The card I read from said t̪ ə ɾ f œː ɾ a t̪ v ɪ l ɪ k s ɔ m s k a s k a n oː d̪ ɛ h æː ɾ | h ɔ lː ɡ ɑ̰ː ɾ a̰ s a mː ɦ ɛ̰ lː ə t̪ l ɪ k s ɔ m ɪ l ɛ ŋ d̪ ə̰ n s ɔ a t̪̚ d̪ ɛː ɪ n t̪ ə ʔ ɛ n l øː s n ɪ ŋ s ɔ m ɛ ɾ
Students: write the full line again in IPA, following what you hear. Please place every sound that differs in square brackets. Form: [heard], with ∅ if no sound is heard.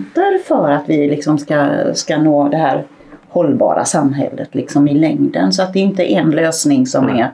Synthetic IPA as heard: t̪ ə ɾ f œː ɾ a t̪ v ɪ l ɪ k s ɔ m s k a s k a n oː d̪ ɛ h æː ɾ | h ɔ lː [b] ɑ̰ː ɾ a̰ s a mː ɦ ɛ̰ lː ə t̪ l ɪ k s ɔ m ɪ l ɛ ŋ d̪ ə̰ n s ɔ a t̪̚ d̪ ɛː ɪ n t̪ ə ʔ ɛ n l øː s n ɪ ŋ s ɔ m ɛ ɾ